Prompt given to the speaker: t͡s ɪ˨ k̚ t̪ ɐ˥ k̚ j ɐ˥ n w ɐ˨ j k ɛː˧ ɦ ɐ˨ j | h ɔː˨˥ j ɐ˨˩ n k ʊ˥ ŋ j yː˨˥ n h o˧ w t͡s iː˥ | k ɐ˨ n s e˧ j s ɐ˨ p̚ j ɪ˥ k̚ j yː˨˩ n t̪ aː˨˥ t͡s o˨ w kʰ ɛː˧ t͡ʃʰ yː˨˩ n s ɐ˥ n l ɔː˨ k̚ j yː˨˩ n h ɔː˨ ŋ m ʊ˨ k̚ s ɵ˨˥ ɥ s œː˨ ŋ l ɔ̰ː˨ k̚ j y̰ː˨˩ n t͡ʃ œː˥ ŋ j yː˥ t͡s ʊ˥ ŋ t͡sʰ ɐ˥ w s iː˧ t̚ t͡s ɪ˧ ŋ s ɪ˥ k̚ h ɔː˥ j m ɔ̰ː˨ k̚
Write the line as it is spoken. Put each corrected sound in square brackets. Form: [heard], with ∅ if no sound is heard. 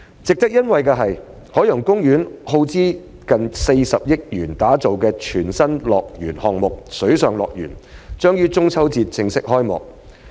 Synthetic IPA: t͡s ɪ˨ k̚ t̪ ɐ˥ k̚ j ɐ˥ n w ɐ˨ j k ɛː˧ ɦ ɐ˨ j | h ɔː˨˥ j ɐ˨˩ [ŋ] k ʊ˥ ŋ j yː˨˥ n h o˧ w t͡s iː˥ | k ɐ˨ n s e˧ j s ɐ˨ p̚ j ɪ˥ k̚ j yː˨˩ n t̪ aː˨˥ t͡s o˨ w [k] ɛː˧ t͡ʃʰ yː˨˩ n s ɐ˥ n l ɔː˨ k̚ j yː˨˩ n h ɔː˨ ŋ m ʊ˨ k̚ s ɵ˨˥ ɥ s œː˨ ŋ l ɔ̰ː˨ k̚ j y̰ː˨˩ n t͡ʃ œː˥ ŋ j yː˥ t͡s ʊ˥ ŋ t͡sʰ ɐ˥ w [t͡s] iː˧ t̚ t͡s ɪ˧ ŋ s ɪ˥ k̚ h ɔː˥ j m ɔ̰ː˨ k̚